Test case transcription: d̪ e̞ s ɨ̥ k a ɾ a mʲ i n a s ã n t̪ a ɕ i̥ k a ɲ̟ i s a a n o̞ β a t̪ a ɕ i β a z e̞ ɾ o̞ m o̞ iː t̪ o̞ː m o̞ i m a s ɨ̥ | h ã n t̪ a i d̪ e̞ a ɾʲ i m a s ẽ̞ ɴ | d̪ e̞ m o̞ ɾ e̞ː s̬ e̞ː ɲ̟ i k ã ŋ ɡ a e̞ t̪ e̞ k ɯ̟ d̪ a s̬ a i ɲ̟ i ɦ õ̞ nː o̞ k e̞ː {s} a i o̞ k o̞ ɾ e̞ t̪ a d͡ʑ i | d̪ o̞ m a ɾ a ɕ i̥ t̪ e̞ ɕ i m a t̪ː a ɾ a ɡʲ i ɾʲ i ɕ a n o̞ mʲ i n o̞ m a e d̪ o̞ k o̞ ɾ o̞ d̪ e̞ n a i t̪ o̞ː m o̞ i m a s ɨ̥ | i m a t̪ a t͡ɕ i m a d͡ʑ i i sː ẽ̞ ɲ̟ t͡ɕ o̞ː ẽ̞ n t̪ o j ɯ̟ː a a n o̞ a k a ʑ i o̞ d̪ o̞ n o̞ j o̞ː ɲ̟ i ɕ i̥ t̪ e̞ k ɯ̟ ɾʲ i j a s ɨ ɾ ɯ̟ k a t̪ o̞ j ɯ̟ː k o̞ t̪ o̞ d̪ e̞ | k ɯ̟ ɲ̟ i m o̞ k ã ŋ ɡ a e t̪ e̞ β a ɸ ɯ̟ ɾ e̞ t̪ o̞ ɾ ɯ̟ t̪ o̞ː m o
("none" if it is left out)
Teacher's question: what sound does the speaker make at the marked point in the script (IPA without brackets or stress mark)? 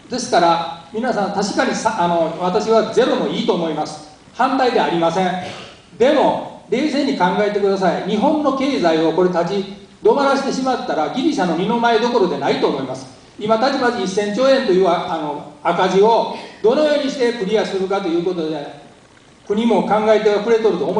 z